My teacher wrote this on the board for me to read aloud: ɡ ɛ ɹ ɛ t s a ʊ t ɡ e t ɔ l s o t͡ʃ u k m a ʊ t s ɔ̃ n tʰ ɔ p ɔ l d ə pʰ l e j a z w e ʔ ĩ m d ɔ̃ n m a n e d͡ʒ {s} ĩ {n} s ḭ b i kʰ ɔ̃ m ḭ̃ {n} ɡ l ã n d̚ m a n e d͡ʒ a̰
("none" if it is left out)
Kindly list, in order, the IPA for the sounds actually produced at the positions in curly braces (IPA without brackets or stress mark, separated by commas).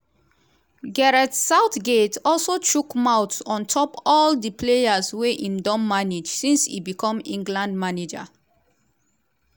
s, n, ŋ